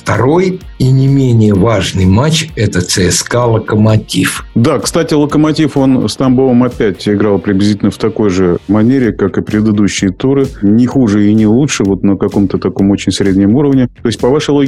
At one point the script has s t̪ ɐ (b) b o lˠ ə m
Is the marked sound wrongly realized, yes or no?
yes